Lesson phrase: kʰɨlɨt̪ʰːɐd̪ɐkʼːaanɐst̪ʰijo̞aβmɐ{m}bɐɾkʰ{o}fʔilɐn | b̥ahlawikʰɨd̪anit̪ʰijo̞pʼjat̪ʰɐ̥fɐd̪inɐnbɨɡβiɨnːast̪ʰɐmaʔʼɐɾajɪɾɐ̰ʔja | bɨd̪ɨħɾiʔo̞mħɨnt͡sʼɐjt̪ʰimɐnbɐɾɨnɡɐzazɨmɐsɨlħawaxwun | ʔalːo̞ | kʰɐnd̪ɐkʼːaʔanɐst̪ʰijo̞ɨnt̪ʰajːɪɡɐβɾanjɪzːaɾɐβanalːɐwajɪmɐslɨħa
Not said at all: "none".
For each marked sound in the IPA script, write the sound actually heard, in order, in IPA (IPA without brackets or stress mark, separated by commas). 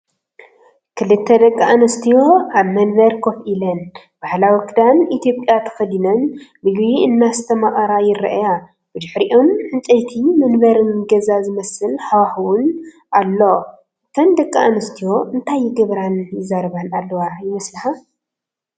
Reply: n, o